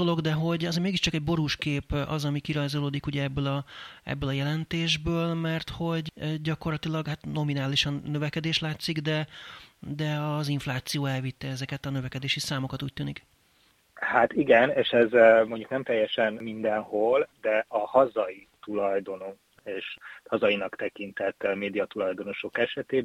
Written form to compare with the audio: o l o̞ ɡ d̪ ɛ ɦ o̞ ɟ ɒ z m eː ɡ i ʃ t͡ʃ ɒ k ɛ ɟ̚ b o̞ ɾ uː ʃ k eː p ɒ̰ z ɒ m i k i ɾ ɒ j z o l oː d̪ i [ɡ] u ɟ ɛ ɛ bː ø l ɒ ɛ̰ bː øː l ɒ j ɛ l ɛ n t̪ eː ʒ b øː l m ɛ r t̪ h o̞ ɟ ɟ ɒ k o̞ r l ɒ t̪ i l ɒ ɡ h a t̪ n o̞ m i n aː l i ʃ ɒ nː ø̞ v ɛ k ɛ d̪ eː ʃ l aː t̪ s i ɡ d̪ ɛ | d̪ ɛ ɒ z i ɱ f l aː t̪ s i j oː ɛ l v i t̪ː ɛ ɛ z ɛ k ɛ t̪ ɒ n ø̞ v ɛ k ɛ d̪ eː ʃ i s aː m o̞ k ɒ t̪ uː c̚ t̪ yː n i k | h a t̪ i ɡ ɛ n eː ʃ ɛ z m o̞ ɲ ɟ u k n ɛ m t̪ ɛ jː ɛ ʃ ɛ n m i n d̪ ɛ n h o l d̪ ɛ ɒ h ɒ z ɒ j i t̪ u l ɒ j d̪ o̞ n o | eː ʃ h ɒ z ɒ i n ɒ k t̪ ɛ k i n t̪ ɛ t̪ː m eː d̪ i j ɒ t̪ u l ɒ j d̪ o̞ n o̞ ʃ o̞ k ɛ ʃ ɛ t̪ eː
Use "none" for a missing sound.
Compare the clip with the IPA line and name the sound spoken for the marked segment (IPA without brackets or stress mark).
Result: k